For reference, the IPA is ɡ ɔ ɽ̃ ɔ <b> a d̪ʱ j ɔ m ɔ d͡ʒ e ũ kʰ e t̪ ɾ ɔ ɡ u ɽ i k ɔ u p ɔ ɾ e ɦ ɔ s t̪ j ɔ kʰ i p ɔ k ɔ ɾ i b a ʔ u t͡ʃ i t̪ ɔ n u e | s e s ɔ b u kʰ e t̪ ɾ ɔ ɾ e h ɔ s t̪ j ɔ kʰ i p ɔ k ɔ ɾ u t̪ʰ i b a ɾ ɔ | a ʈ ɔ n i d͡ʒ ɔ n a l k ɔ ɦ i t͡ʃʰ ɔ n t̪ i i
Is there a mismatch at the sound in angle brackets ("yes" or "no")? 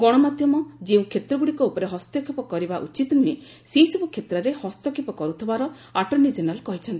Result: yes